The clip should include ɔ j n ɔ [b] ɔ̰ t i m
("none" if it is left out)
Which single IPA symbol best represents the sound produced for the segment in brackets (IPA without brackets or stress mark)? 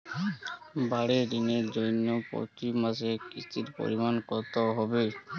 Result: p